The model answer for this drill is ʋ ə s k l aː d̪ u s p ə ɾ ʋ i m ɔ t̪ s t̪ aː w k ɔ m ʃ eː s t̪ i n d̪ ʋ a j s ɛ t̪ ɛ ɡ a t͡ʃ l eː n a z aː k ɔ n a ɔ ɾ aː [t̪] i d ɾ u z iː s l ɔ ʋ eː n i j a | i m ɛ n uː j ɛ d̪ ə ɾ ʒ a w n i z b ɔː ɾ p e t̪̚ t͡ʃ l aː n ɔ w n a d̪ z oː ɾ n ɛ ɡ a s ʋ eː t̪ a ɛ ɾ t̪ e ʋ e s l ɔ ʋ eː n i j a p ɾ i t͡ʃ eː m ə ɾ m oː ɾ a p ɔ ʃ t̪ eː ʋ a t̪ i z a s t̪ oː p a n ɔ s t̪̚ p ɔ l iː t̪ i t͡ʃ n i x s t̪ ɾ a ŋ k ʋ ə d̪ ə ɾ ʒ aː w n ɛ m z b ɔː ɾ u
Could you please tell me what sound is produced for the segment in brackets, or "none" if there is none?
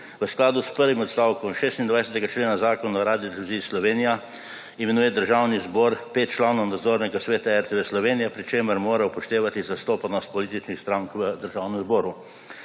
d̪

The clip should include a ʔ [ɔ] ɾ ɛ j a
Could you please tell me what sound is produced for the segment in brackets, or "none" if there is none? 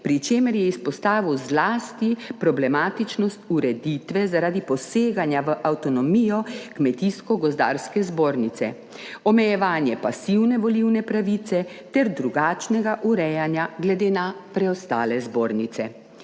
u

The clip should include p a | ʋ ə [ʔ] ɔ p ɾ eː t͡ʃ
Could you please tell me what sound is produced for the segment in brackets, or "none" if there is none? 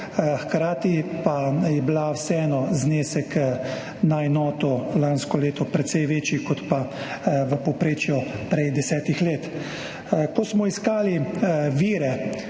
p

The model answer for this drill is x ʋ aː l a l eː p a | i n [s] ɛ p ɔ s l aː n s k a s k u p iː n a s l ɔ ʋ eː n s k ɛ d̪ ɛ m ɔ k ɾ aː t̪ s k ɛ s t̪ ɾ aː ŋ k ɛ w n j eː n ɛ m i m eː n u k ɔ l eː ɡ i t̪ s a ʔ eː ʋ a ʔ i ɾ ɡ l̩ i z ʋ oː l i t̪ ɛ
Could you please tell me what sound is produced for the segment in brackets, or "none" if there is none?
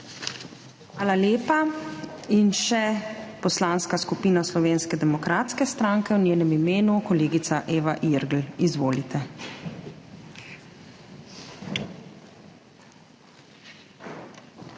ʃ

